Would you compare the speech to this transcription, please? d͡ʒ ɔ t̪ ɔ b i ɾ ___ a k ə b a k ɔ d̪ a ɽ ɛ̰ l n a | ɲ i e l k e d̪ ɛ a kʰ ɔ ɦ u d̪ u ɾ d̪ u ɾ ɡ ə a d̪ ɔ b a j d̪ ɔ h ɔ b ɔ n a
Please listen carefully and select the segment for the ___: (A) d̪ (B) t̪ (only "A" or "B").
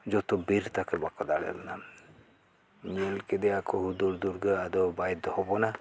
B